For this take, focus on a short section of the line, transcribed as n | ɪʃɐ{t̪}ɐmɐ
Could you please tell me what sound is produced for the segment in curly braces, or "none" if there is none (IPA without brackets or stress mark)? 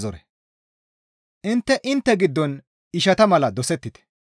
t̪